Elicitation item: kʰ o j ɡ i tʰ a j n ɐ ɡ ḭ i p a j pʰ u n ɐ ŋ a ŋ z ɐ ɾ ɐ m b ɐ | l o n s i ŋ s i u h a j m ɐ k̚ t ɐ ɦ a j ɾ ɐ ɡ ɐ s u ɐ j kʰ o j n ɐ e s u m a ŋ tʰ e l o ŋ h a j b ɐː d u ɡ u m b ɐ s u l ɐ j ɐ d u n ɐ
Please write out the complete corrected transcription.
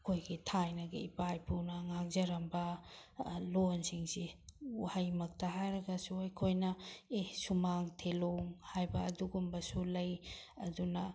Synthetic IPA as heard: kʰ o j ɡ i tʰ a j n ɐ ɡ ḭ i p a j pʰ u n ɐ ŋ a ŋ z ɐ ɾ ɐ m b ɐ | l o n s i ŋ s i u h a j m ɐ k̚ t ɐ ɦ a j ɾ ɐ ɡ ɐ s u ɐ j kʰ o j n ɐ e s u m a ŋ tʰ e l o ŋ h a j b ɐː d u ɡ u m b ɐ s u l ɐ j ɐ d u n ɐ